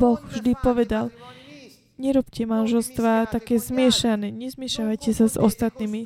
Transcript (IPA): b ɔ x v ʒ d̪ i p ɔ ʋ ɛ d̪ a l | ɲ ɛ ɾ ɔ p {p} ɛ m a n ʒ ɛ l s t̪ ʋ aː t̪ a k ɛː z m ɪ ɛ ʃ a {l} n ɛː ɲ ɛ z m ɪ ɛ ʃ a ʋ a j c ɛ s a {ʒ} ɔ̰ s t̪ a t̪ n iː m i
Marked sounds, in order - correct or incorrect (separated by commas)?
incorrect, incorrect, incorrect